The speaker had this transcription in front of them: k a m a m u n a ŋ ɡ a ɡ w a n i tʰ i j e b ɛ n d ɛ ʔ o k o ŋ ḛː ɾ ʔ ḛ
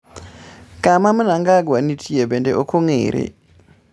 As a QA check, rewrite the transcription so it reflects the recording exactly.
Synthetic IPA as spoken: k a m a m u n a ŋ ɡ a ɡ w a n i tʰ i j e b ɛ n d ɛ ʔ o k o ŋ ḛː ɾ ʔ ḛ